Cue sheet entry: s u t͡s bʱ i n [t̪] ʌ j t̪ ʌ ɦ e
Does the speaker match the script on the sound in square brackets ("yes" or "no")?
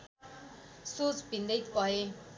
no